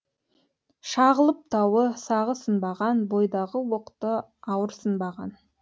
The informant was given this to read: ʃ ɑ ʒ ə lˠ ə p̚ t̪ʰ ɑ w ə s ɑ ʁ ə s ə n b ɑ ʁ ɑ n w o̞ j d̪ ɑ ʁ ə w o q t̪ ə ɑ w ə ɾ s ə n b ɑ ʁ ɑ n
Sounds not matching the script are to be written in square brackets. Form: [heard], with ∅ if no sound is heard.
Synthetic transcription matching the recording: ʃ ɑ [ʁ] ə lˠ ə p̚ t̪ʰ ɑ w ə s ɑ ʁ ə s ə n b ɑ ʁ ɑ n [b] o̞ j d̪ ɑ ʁ ə w o q t̪ ə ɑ w ə ɾ s ə n b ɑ ʁ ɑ n